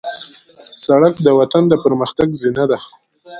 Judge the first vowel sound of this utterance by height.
low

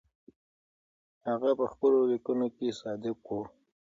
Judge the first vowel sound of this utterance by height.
low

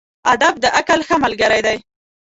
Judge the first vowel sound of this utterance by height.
low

